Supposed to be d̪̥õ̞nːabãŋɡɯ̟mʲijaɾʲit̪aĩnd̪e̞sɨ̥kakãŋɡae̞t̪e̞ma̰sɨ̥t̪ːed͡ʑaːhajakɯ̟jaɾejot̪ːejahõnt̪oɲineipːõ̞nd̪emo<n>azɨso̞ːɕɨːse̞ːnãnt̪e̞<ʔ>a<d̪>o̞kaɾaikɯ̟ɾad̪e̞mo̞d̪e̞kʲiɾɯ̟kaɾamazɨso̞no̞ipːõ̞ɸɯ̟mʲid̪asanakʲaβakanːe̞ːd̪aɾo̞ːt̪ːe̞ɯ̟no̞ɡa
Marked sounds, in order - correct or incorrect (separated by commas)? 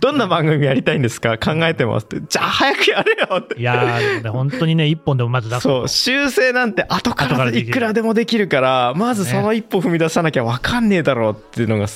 incorrect, correct, incorrect